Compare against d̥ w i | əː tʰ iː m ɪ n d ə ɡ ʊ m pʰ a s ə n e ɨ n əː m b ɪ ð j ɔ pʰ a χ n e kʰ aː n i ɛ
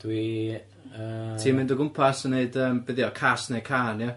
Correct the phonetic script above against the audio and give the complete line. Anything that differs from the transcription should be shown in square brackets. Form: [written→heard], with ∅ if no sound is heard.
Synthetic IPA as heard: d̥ w i | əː tʰ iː m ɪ n d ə ɡ ʊ m pʰ a s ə n e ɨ [n→d] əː m b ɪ ð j ɔ [pʰ→kʰ] a [χ→s] n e kʰ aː n [i→j] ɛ